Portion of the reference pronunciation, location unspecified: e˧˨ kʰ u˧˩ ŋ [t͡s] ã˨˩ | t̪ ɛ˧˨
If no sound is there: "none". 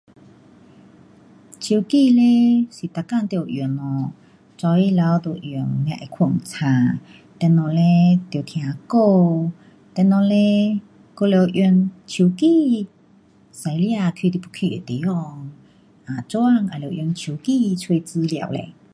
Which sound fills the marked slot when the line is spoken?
t͡sʰ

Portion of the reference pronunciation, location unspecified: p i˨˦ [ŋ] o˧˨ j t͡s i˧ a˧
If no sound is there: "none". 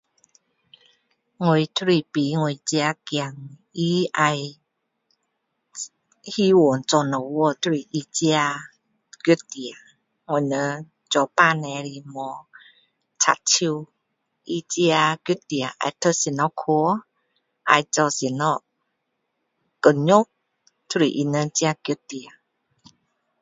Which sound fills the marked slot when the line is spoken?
ŋ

